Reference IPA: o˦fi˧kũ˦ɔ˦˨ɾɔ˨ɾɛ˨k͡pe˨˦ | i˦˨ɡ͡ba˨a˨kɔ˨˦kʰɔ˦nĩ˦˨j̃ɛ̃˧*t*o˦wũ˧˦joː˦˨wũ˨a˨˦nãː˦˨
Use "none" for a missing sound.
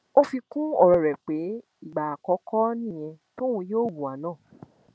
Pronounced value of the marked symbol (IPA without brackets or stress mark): t